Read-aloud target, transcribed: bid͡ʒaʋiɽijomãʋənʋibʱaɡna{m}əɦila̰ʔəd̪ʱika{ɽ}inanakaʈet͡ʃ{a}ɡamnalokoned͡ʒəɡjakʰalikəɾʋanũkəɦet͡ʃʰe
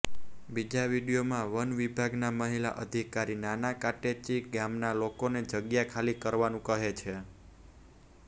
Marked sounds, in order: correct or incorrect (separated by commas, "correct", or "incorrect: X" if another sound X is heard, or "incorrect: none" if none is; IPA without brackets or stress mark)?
correct, incorrect: ɾ, incorrect: i